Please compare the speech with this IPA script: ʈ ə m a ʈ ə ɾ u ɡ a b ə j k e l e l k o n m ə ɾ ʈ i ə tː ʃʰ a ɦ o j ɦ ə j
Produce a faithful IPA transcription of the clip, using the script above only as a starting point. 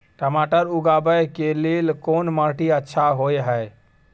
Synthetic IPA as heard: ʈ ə m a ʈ ə ɾ u ɡ a b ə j k e l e l k o n m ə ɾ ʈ i ə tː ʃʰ a ɦ o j ɦ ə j